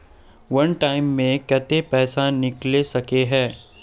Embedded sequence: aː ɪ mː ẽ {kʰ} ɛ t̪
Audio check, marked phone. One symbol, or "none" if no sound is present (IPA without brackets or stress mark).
k